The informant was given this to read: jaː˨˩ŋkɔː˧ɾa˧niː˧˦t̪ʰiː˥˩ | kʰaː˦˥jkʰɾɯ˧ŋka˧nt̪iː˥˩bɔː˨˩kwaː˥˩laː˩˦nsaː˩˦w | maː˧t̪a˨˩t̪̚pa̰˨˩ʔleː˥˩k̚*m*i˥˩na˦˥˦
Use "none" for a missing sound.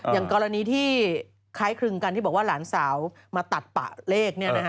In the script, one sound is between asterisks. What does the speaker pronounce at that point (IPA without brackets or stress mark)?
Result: n